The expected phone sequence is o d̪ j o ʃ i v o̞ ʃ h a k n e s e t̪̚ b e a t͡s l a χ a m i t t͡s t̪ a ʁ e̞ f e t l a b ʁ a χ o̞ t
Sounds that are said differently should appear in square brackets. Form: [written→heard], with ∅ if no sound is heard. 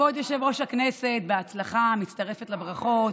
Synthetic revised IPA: o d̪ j o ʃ [i→e] v o̞ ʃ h a k n e s e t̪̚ b e a t͡s l a χ a m i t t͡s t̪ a ʁ e̞ f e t l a b ʁ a χ o̞ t

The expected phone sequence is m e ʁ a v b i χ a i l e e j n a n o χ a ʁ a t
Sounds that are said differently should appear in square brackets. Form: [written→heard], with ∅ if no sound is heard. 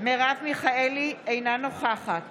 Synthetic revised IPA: m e ʁ a v [b→m] i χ a [i→e] l [e→i] e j n a n o χ a [ʁ→χ] a t

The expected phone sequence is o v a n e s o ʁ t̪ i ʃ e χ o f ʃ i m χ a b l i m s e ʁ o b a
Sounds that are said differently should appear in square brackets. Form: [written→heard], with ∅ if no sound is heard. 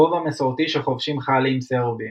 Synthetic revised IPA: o v a [n→m] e s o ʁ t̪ i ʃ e χ o [f→v] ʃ i m χ a [b→∅] l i m s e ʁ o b [a→i]

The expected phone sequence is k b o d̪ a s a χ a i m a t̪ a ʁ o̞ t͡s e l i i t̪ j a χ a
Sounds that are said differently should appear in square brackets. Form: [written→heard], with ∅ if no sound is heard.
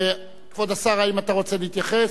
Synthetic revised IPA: k [b→v] o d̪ a s a [χ→ʁ] a i m a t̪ a ʁ o̞ t͡s e l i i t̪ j a χ [a→e]

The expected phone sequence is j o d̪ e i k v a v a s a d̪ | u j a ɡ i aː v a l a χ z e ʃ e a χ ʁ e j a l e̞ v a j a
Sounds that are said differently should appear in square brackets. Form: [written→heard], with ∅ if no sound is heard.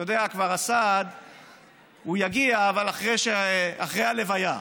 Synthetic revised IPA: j o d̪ e [i→a] k v a [v→ʁ] a s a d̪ | u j a ɡ i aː v a l a χ [z→ʁ] e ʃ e a χ ʁ e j a l e̞ v a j a

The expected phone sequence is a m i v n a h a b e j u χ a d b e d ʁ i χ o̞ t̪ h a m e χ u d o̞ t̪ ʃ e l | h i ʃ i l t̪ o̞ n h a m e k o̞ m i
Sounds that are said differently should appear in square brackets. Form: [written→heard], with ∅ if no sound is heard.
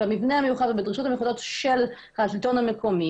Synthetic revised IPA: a m i v n [a→e] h a [b→m] e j u χ a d b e d ʁ i [χ→ʃ] o̞ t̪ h a m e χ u d o̞ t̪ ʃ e l | h [i→a] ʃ i l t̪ o̞ n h a m e k o̞ m i

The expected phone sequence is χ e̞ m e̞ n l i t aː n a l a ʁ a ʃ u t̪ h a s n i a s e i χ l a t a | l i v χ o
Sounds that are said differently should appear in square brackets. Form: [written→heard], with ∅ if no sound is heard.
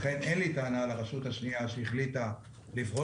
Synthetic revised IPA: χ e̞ [m→n] e̞ n l i t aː n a l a ʁ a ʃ u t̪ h a [s→ʃ] n i a [s→ʃ] e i χ l [a→i] t a | l i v [χ→ʁ] o

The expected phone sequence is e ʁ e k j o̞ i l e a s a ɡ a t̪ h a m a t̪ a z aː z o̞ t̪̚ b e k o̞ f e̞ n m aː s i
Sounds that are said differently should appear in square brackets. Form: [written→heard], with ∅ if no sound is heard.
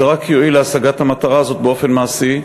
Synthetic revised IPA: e ʁ [e→a] k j o̞ i l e a s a ɡ a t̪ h a m a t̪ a [z→ʁ] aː z o̞ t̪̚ b e [k→∅] o̞ f e̞ n m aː s i

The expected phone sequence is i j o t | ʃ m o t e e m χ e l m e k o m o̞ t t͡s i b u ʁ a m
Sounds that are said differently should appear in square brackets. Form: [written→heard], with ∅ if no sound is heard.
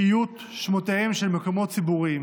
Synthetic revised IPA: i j [o→u] t | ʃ m o t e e m [χ→ʃ] e l m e k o m o̞ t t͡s i b u ʁ [a→i] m

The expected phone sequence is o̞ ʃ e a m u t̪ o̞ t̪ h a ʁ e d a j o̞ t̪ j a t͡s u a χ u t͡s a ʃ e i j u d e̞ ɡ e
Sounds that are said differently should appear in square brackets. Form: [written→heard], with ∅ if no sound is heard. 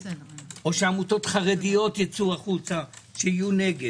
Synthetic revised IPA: o̞ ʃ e a m u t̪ o̞ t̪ [h→χ] a ʁ e d [a→i] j o̞ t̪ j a t͡s u a χ u t͡s a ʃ e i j u [d→n] e̞ ɡ e

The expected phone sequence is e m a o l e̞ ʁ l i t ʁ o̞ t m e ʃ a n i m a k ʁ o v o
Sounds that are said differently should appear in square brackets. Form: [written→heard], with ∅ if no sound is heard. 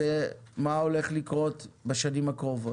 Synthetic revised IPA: e m a o l e̞ [ʁ→χ] l i [t→k] ʁ o̞ t [m→b] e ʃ a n i m a k ʁ o v o

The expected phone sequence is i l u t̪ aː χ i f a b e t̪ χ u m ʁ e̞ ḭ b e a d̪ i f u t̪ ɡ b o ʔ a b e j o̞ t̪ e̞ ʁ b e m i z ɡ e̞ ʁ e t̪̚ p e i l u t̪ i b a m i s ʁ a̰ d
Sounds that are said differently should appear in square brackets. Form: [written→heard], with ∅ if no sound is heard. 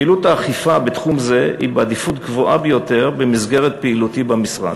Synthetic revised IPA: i l u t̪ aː χ i f a b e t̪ χ u m [ʁ→z] e̞ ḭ b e a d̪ i f u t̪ ɡ [b→v] o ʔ a b e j o̞ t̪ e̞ ʁ b e m i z ɡ e̞ ʁ e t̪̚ p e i l u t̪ i b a m i s ʁ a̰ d

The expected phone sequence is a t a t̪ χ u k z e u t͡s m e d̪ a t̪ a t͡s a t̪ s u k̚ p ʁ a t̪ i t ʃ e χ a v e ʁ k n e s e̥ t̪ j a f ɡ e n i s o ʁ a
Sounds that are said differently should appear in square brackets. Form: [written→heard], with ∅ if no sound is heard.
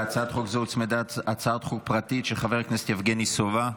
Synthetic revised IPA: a [t→t͡s] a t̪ χ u k z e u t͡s m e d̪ a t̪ a t͡s a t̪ [s→χ] u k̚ p ʁ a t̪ i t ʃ e χ a v e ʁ k n e s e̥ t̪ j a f ɡ e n i s o [ʁ→v] a

